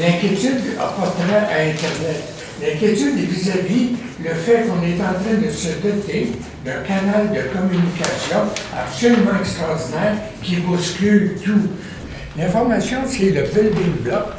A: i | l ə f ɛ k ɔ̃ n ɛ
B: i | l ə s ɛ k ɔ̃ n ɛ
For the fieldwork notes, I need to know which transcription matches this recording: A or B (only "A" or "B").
A